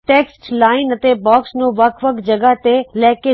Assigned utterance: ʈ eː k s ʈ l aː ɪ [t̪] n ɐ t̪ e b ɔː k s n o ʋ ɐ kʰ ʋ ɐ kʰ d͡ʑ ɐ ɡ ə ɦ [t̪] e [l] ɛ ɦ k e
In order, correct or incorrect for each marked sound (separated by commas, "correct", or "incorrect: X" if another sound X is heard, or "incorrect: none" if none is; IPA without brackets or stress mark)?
incorrect: none, correct, correct